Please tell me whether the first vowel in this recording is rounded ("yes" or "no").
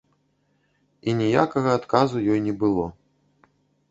no